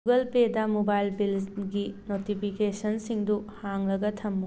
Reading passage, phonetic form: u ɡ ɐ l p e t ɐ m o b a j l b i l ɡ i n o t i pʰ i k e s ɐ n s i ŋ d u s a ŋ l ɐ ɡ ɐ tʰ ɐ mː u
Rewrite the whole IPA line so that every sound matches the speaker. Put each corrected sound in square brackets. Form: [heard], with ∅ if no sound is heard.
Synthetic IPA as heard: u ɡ ɐ l p e [d] ɐ m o b a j l b i l ɡ i n o t i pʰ i k e s ɐ n s i ŋ d u [h] a ŋ l ɐ ɡ ɐ tʰ ɐ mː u